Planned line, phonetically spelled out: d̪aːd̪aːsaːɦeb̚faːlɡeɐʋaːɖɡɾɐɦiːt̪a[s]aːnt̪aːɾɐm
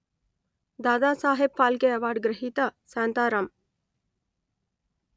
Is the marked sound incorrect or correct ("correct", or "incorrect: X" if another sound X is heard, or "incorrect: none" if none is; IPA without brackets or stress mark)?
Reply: correct